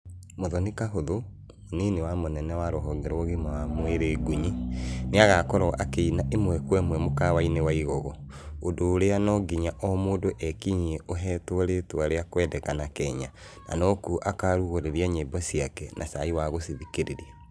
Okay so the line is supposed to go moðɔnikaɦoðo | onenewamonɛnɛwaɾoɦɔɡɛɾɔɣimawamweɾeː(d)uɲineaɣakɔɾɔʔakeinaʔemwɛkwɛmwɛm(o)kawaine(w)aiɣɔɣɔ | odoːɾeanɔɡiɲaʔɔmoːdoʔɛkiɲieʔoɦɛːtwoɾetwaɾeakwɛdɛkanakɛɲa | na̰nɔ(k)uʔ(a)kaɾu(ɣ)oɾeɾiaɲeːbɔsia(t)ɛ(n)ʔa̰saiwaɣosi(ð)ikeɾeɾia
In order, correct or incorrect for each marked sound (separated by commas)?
incorrect, correct, correct, correct, correct, correct, incorrect, correct, correct